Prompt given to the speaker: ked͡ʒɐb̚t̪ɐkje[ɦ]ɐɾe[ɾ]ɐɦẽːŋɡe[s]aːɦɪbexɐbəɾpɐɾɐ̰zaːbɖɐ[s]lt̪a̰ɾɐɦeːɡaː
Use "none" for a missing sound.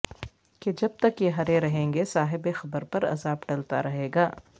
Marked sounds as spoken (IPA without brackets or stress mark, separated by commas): ɦ, ɾ, s, none